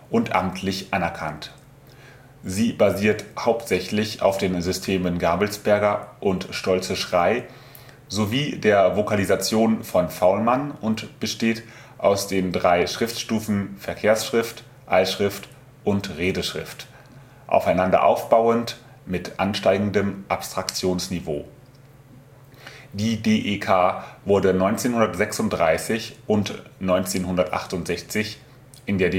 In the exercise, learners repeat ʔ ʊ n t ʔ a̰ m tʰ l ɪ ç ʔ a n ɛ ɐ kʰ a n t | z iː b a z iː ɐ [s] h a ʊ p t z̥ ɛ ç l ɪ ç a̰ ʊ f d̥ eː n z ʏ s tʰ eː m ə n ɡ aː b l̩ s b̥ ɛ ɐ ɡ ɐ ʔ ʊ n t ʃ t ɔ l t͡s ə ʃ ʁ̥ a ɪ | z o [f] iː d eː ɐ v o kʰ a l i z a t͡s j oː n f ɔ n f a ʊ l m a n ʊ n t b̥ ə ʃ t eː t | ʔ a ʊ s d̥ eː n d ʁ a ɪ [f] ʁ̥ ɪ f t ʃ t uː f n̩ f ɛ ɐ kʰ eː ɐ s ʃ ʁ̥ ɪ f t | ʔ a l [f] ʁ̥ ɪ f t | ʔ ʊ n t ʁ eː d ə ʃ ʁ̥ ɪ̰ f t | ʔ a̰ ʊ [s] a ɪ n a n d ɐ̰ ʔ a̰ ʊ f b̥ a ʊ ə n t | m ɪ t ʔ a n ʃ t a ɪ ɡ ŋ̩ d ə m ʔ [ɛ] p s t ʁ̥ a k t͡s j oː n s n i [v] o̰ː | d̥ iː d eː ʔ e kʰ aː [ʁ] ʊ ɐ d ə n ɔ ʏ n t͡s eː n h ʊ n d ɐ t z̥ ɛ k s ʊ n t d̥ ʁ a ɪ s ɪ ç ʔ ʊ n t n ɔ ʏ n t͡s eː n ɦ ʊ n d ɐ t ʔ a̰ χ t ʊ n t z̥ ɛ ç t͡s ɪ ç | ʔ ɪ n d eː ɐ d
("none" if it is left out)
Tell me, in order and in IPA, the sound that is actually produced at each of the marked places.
t, v, ʃ, ʃ, f, a, v, v

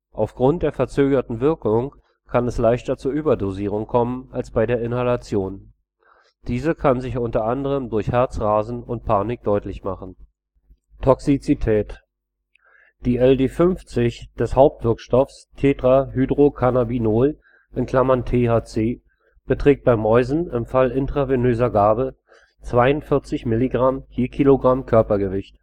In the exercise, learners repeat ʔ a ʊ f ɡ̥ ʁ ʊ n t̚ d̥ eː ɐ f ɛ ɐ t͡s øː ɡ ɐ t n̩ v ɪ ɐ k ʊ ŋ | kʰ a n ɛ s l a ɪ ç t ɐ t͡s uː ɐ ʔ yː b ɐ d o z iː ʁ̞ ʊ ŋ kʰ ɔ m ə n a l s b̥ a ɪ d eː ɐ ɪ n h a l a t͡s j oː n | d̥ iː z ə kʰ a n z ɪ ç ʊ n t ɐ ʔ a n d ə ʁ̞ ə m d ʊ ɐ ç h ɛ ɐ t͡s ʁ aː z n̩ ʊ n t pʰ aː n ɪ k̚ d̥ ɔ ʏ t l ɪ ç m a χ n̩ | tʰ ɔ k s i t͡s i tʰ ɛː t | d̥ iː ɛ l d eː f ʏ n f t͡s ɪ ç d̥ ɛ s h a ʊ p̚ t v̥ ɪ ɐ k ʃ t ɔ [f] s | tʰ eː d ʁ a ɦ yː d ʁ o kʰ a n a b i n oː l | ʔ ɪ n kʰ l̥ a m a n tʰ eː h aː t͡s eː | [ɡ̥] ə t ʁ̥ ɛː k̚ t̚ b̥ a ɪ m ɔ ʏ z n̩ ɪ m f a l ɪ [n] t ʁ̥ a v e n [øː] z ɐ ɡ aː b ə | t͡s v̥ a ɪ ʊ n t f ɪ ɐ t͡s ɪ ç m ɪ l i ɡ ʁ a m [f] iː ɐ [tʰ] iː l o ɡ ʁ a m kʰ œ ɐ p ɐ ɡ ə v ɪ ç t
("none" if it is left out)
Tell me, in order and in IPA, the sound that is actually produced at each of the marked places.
f, b̥, n, øː, h, kʰ

